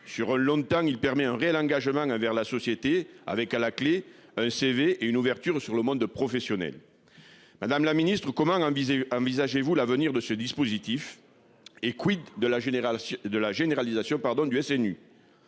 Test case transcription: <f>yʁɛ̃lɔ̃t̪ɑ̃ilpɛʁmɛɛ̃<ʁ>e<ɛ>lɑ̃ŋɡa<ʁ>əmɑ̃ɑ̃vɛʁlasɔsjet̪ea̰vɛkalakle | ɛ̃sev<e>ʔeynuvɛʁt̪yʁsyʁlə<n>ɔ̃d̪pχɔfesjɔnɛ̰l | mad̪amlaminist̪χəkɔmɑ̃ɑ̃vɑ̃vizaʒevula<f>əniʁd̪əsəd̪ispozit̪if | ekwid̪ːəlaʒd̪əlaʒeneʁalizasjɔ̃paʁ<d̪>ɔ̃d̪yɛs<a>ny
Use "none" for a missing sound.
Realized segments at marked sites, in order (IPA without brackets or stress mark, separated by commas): s, ʁ, ɛ, ʒ, e, m, v, d̪, ɛ